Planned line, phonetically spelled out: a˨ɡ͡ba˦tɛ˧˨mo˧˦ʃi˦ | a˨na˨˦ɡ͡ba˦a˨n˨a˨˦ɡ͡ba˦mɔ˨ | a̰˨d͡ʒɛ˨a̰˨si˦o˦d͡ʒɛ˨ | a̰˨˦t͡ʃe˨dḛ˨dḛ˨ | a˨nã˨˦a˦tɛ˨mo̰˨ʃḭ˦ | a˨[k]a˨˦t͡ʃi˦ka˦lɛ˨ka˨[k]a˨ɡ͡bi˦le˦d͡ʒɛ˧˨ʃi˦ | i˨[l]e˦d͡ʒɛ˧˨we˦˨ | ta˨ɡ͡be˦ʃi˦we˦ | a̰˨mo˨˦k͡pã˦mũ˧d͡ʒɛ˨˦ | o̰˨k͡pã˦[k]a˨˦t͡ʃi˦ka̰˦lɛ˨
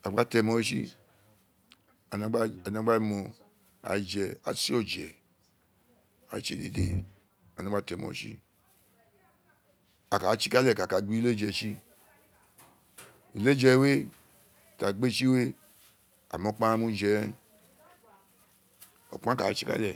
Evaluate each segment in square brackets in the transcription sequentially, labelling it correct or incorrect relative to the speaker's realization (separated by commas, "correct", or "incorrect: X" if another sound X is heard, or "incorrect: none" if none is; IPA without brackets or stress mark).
correct, correct, correct, correct